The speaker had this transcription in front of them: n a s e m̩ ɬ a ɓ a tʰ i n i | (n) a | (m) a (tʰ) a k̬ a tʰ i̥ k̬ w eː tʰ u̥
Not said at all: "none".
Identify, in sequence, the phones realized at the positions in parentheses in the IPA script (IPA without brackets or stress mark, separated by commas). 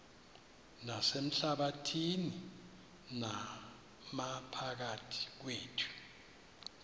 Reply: n, m, pʰ